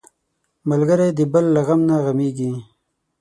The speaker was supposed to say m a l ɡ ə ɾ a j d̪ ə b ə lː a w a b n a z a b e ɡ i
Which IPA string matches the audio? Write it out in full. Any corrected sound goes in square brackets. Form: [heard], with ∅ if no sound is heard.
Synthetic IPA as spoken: m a l ɡ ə ɾ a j d̪ ə b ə lː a [ɣ] a [m] n a [ɣ] a [m] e ɡ i